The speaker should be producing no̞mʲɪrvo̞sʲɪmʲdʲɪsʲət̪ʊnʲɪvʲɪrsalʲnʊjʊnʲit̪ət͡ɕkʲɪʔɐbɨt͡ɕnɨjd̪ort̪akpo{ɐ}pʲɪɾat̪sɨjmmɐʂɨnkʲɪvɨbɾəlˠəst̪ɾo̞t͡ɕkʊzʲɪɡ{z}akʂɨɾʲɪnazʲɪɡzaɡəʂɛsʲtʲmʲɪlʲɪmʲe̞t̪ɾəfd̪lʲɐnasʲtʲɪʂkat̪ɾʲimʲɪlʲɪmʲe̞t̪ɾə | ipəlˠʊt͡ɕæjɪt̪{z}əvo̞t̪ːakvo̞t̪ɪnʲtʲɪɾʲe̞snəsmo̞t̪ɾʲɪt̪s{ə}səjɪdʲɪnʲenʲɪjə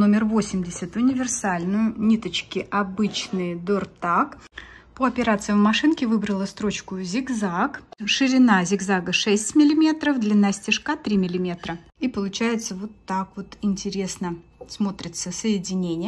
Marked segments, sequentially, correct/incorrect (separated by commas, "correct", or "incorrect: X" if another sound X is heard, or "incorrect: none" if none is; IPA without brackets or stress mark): correct, correct, incorrect: s, correct